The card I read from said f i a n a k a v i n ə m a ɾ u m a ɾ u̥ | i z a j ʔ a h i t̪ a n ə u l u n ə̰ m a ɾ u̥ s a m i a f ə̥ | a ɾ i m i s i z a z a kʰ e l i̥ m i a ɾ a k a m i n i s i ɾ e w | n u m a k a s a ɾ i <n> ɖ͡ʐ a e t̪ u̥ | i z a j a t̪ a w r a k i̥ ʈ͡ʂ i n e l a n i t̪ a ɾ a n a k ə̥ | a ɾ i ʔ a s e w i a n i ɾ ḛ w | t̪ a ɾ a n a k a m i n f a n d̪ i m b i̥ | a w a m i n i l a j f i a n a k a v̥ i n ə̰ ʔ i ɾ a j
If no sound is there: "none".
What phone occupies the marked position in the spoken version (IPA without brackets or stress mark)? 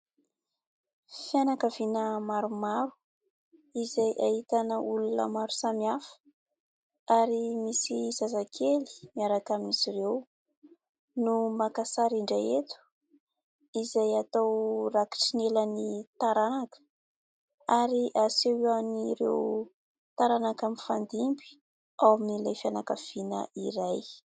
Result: ɳ